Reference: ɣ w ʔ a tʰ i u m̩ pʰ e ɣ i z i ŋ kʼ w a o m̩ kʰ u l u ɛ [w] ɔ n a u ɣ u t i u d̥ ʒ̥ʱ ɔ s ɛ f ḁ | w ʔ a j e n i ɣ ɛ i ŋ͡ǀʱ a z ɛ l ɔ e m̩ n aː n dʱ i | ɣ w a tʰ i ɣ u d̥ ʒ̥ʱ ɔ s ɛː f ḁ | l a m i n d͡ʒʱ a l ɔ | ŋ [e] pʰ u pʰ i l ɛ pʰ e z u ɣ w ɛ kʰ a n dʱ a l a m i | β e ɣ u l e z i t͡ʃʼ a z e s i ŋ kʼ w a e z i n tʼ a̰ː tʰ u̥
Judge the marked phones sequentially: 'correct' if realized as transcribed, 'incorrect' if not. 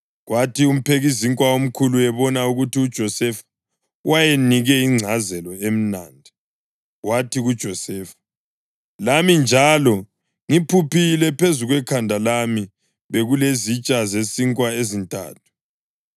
incorrect: β, incorrect: i

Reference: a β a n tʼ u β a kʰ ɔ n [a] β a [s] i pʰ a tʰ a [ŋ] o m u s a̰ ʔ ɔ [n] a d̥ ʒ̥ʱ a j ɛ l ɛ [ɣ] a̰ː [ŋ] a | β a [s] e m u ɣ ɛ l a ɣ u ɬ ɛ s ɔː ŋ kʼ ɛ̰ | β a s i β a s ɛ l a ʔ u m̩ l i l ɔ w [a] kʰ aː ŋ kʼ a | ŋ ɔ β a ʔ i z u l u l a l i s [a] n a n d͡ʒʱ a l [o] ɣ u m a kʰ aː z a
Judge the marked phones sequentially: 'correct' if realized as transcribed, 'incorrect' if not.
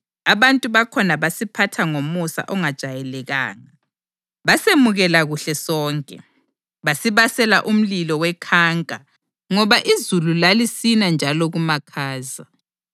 correct, correct, correct, incorrect: ŋ, correct, correct, correct, incorrect: ɛ, incorrect: i, incorrect: ɔ

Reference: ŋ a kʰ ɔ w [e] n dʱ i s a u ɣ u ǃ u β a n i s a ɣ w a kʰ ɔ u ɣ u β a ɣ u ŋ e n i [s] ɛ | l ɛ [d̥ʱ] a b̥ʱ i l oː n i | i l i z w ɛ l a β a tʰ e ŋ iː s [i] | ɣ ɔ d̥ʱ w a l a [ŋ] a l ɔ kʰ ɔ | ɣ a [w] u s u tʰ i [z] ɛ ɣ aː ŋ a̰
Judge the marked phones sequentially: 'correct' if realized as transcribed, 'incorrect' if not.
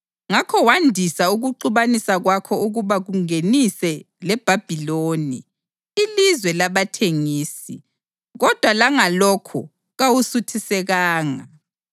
incorrect: a, correct, incorrect: b̥ʱ, correct, correct, correct, incorrect: s

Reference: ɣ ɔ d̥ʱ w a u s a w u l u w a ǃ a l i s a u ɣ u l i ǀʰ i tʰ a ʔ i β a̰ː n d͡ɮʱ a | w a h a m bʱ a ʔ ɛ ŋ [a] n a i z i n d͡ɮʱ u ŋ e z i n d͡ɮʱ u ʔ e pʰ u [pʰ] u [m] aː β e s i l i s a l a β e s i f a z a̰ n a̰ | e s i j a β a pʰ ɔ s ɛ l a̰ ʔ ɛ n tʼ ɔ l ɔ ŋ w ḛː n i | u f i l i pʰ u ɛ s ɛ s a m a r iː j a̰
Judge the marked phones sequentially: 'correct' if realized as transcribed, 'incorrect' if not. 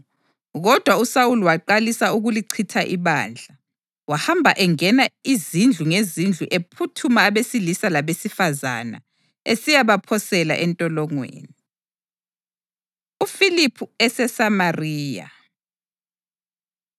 incorrect: ɛ, incorrect: tʰ, correct

